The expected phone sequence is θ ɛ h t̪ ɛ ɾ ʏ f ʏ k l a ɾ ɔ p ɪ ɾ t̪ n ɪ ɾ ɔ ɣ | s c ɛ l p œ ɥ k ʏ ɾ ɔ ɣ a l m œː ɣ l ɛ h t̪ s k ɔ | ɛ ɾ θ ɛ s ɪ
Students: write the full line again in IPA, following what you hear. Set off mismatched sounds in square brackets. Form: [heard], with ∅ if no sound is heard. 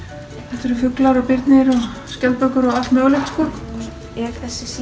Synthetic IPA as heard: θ ɛ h t̪ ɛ ɾ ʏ f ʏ k l a ɾ ɔ p ɪ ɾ t̪ n ɪ ɾ ɔ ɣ | s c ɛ l p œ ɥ k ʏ ɾ ɔ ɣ a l m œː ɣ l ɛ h t̪ s k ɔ | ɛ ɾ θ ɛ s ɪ